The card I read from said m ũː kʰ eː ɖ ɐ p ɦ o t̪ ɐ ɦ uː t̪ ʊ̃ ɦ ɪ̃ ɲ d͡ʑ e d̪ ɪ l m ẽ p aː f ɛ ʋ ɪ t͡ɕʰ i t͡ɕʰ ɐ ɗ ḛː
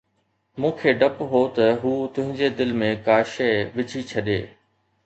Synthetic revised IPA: m ũː kʰ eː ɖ ɐ p ɦ o t̪ ɐ ɦ uː t̪ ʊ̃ ɦ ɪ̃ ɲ d͡ʑ e d̪ ɪ l m ẽ k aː ʃ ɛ ʋ ɪ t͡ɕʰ i t͡ɕʰ ɐ ɗ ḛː